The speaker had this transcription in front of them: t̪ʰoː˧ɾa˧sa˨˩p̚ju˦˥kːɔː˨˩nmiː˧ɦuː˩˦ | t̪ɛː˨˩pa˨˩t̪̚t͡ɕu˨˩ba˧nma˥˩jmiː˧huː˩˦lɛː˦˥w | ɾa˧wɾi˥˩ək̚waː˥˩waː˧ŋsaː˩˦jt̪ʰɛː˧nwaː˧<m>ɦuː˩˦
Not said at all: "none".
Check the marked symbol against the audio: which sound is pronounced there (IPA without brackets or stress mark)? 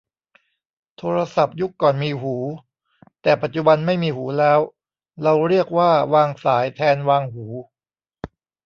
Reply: ŋ